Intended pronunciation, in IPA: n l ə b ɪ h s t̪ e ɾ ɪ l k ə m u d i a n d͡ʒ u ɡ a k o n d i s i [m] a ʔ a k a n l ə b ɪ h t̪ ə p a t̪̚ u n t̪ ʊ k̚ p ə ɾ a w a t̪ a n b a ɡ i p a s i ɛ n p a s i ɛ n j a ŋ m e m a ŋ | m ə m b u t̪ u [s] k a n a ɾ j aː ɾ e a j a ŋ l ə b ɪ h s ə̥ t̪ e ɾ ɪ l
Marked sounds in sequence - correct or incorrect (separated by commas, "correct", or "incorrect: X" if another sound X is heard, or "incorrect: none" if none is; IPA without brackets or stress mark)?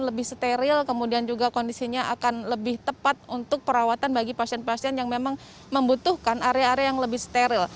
incorrect: ɲ, incorrect: h